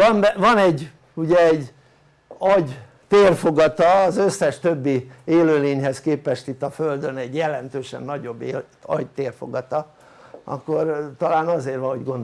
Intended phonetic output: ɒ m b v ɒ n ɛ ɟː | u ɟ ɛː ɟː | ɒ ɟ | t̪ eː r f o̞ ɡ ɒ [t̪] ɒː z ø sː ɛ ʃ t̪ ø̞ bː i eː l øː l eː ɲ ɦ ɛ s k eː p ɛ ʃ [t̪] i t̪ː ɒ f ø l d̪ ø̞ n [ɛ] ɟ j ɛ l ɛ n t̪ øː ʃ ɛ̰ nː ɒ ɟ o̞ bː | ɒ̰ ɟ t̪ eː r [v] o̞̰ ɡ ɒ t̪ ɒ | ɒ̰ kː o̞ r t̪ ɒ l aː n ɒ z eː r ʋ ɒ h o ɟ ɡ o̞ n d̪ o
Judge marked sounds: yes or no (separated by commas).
yes, yes, yes, no